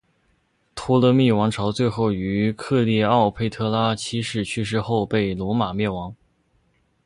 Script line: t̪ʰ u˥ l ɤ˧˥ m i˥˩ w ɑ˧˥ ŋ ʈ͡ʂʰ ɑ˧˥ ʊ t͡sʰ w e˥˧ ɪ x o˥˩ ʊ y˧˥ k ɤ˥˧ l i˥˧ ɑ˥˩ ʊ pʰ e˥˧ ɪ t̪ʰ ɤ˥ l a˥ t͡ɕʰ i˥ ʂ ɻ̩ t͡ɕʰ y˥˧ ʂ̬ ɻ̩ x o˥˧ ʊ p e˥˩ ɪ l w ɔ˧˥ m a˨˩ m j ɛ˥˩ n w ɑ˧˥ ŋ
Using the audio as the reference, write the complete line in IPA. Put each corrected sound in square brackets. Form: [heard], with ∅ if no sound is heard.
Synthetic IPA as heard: t̪ʰ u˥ l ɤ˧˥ m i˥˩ w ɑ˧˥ ŋ ʈ͡ʂʰ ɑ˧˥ ʊ [t͡s] w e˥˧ ɪ x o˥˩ ʊ y˧˥ [kʰ] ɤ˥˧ l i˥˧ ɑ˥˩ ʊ pʰ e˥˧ ɪ t̪ʰ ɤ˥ l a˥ t͡ɕʰ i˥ ʂ ɻ̩ t͡ɕʰ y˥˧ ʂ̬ ɻ̩ x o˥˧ ʊ p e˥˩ ɪ l w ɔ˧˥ m a˨˩ m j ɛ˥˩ n w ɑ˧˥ ŋ